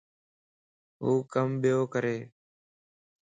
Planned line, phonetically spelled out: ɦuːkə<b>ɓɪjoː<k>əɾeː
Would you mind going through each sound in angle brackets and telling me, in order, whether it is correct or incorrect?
incorrect: m, correct

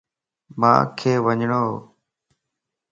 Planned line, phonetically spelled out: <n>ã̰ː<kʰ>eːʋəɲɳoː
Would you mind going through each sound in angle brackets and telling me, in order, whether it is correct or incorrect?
incorrect: m, correct

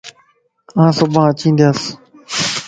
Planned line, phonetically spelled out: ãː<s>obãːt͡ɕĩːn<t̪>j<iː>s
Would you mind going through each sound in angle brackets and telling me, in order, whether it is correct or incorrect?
correct, incorrect: d̪, incorrect: aː

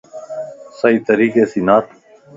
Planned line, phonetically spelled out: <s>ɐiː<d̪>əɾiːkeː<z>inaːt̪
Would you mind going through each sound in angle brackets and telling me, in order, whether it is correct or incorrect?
correct, incorrect: t̪, incorrect: s

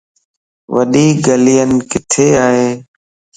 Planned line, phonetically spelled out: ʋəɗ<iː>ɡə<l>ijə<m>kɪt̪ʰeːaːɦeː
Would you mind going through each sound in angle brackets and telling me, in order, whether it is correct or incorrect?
correct, correct, incorrect: n

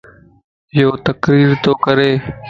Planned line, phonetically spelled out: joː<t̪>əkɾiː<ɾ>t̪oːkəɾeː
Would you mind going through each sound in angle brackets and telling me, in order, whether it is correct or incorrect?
correct, correct

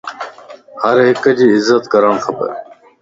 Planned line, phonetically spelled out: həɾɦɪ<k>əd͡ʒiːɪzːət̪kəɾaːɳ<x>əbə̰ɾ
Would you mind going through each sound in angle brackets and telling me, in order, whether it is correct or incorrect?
correct, correct

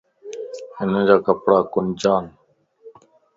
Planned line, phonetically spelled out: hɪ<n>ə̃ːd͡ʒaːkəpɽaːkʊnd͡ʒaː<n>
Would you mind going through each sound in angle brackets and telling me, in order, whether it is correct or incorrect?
correct, correct

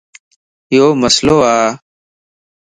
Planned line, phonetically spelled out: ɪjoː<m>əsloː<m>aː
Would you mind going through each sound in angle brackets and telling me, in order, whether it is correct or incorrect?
correct, incorrect: none

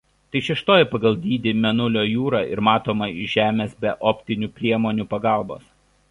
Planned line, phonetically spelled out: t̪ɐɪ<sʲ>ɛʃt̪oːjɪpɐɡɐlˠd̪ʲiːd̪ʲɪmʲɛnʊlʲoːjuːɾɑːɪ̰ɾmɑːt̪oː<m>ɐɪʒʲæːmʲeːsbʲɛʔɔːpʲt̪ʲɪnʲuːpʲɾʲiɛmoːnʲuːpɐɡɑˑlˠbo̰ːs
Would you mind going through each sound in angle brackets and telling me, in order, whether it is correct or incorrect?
incorrect: ʃʲ, correct

